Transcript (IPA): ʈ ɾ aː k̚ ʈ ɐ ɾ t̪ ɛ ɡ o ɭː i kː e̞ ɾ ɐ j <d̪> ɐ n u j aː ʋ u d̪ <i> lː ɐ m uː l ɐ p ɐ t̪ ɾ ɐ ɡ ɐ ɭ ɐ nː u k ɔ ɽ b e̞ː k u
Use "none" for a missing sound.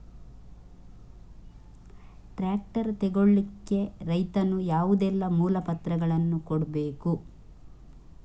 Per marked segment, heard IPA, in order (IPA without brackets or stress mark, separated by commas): t̪, ɛ